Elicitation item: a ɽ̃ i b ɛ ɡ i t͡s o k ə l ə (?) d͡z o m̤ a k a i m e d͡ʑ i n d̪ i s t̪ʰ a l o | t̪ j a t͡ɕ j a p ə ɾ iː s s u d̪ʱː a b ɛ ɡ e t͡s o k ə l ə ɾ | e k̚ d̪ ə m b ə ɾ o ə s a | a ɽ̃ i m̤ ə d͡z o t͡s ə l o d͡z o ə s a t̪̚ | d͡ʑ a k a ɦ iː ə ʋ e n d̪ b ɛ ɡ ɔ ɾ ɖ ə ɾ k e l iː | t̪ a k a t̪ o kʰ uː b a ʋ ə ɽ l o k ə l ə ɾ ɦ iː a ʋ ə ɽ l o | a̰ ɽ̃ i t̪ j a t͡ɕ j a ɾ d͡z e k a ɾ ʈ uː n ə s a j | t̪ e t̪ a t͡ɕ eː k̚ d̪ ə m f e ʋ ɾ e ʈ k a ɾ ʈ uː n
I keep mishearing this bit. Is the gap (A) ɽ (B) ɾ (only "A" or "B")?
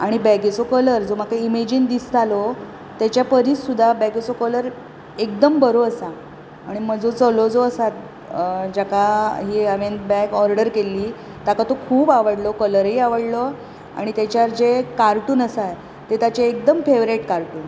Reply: B